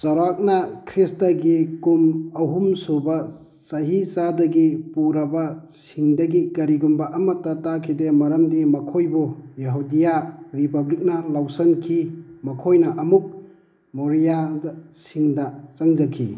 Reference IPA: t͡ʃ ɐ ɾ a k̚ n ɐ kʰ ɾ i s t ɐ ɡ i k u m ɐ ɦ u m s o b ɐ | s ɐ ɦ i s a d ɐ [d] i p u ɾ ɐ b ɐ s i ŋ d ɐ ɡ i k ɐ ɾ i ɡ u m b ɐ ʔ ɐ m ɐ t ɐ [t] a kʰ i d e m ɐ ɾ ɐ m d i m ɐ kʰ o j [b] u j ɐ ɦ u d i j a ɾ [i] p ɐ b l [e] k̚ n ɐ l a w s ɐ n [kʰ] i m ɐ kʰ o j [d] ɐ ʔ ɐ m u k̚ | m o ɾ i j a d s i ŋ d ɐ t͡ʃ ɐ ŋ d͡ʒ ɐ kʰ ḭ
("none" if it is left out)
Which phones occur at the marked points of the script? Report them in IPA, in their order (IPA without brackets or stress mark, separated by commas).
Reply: ɡ, t, b, i, i, kʰ, n